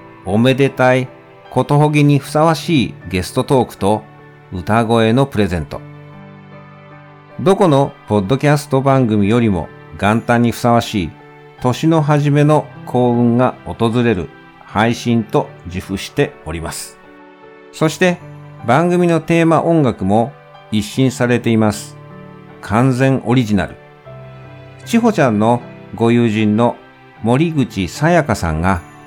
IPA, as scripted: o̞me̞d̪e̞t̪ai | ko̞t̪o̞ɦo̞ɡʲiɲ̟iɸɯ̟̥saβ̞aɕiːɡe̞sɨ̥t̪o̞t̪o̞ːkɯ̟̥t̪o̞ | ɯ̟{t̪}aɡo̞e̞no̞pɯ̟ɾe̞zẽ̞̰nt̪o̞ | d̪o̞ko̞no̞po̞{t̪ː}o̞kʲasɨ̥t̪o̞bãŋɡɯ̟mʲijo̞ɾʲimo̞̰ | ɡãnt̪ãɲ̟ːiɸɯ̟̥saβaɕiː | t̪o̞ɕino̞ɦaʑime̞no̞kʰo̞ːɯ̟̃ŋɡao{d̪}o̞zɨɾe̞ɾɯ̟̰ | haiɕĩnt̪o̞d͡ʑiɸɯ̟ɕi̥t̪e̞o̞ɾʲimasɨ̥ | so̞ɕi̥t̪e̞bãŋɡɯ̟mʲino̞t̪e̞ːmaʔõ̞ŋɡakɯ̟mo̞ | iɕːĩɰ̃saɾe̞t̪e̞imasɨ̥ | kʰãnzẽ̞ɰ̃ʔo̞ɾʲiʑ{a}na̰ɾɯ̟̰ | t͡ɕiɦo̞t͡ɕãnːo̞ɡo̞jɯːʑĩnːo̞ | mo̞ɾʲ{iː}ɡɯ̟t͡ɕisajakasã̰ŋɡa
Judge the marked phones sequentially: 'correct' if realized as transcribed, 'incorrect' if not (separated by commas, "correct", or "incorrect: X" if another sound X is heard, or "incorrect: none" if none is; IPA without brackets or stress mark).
correct, incorrect: d̪ː, incorrect: t̪, incorrect: i, incorrect: i